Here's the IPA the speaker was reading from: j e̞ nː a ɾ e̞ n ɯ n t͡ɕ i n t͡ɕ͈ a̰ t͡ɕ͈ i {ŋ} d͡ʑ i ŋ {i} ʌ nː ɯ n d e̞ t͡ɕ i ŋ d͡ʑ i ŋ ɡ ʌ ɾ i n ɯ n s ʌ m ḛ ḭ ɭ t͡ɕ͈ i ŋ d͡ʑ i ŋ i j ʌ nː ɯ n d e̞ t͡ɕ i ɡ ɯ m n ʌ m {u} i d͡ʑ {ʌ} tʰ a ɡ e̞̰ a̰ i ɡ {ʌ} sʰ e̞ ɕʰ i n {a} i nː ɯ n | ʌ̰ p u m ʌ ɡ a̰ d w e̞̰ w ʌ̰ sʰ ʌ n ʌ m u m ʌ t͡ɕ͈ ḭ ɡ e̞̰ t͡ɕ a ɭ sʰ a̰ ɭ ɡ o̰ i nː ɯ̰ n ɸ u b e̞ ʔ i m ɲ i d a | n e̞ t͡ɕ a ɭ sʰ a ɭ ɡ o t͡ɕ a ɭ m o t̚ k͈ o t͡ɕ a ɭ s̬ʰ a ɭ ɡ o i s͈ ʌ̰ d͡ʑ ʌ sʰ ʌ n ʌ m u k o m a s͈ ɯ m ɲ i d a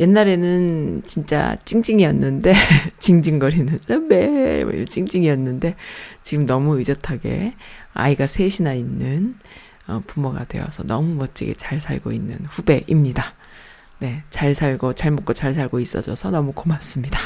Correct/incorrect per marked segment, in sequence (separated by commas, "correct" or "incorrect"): correct, correct, correct, correct, incorrect, correct